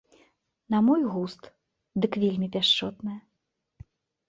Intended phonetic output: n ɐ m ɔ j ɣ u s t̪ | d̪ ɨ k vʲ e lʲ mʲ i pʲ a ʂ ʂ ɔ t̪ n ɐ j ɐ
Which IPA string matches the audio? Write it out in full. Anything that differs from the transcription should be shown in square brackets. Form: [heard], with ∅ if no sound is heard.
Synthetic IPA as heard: n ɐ m ɔ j ɣ u s t̪ | d̪ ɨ k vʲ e lʲ mʲ i pʲ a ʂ [t͡ʂ] ɔ t̪ n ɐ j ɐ